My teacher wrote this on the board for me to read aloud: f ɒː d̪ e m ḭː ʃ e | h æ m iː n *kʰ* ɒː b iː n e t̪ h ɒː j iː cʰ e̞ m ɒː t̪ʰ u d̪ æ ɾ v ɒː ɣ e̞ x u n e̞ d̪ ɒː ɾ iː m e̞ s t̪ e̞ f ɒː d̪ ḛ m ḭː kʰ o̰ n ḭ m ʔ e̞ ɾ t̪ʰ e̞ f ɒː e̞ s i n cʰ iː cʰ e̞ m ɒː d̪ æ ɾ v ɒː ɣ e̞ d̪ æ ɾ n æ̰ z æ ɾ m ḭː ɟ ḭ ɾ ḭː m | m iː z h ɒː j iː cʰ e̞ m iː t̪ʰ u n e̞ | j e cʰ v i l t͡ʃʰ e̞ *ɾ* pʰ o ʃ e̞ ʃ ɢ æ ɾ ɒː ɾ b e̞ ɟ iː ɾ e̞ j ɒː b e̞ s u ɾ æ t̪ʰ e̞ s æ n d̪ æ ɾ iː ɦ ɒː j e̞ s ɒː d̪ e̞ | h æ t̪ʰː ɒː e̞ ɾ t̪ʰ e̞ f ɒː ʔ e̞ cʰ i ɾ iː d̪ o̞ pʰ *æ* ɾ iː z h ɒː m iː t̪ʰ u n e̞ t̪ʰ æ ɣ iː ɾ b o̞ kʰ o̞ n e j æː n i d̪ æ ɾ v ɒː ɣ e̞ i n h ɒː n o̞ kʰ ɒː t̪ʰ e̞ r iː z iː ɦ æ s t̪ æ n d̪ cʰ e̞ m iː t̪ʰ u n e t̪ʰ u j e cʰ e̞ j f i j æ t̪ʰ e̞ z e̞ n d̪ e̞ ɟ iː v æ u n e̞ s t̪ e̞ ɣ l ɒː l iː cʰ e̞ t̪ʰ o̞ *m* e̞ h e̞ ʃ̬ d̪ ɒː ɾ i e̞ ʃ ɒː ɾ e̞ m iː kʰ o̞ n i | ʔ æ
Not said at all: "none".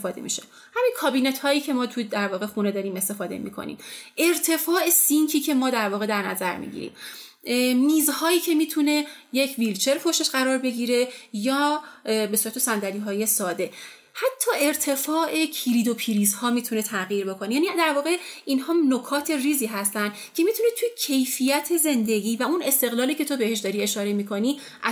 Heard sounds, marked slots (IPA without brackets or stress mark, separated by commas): kʰ, ɾ, i, b